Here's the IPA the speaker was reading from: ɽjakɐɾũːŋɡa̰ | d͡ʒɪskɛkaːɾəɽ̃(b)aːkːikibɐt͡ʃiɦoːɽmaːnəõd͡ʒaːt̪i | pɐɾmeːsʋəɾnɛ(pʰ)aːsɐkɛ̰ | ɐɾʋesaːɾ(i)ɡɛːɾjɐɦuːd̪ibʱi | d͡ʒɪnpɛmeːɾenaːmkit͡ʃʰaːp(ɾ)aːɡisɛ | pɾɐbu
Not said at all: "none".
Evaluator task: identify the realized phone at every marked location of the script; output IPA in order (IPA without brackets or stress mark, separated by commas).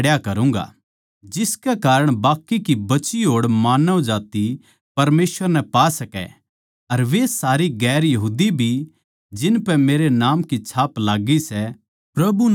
b, p, i, l